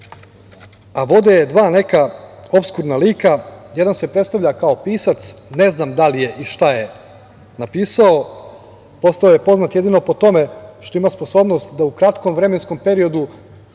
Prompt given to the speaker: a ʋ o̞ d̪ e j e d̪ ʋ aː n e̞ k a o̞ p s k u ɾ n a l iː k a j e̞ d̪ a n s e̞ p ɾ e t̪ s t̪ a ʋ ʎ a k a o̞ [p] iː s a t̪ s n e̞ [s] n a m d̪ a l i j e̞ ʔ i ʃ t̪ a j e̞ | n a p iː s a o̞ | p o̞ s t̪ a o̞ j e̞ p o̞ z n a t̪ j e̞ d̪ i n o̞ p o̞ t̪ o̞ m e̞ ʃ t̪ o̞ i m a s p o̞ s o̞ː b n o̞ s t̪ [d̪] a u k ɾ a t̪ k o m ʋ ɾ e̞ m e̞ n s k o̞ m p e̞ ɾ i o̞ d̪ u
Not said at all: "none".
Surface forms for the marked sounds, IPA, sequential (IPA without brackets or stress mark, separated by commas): p, z, d̪